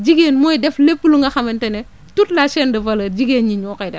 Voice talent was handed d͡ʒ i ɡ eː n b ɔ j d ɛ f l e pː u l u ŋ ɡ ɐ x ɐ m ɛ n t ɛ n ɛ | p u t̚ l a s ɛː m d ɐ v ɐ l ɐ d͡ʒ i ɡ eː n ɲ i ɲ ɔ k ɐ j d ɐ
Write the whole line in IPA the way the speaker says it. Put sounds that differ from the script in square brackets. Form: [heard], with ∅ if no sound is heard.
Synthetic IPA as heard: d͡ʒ i ɡ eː n [m] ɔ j d ɛ f l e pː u l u ŋ ɡ ɐ x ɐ m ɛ n t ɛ n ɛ | [t] u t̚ l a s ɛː [n] d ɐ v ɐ l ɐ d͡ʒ i ɡ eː n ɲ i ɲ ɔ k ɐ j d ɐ